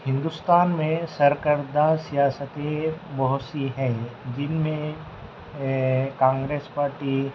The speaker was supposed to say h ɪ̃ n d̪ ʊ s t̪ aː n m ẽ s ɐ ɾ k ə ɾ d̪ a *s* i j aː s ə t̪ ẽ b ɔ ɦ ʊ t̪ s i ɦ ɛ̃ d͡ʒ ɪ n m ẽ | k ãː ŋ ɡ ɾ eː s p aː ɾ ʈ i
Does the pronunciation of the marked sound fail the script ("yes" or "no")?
no